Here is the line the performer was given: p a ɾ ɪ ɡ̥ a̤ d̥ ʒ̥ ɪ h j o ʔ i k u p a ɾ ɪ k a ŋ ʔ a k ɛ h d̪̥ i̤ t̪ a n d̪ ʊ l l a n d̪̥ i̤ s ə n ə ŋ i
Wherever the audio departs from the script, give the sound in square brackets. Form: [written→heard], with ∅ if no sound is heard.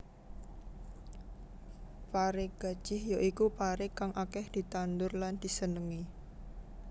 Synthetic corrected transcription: p a ɾ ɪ ɡ̥ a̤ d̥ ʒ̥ ɪ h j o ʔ i k u p a ɾ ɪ k a ŋ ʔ a k ɛ h d̪̥ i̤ t̪ a n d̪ ʊ [l→r] l a n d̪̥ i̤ s ə n ə ŋ i